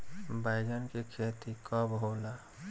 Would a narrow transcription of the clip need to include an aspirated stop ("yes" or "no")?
yes